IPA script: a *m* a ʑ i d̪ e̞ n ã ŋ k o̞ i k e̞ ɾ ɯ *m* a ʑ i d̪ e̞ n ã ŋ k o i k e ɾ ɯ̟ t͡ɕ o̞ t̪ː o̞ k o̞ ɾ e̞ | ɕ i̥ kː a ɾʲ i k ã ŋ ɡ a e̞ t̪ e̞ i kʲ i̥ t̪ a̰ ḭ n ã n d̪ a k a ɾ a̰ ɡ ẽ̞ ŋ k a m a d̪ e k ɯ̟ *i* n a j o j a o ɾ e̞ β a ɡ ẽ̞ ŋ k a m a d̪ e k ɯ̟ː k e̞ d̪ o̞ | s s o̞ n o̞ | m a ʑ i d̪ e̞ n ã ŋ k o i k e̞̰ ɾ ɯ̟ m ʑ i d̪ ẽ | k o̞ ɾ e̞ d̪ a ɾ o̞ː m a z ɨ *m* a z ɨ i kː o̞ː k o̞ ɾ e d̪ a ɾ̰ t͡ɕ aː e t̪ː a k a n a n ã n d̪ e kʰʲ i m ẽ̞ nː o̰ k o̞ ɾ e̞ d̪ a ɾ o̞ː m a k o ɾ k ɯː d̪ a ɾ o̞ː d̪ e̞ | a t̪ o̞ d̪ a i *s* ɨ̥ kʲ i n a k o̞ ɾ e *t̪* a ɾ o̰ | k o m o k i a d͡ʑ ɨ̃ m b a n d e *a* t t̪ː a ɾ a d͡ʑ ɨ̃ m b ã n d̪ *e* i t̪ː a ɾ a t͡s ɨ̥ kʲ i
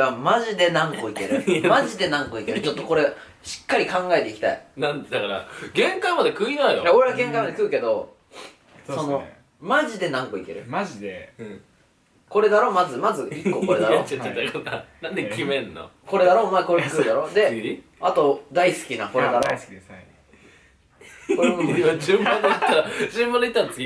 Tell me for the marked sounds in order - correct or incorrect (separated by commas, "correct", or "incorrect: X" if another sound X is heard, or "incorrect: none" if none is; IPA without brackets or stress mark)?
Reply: correct, correct, correct, correct, correct, incorrect: d̪, incorrect: i, correct